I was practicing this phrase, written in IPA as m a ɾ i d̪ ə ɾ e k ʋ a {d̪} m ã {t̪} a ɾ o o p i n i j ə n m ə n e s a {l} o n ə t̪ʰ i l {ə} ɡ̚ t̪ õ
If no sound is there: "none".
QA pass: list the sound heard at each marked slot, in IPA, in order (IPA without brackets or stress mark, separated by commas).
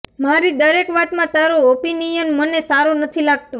t̪, t̪, ɾ, a